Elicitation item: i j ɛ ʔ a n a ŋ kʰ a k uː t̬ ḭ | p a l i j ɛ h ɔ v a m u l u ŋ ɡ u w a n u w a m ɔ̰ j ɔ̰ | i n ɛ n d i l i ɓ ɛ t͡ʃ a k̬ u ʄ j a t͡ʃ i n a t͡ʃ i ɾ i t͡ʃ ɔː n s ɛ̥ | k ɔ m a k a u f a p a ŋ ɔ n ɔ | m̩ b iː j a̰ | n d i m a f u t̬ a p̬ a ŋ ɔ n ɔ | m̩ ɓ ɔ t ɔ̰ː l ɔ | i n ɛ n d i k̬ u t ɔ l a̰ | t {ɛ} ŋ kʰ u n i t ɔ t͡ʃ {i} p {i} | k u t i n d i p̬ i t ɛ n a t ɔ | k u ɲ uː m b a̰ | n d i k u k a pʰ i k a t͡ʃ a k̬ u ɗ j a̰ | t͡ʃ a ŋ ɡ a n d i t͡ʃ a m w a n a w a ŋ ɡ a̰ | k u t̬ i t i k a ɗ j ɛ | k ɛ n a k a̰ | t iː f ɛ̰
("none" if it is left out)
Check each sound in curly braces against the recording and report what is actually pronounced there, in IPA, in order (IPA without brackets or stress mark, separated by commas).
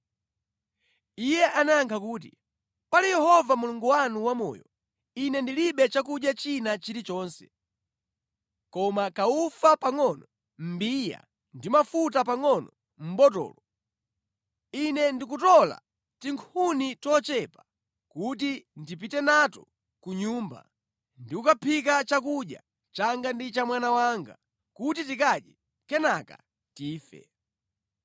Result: i, ɛ, a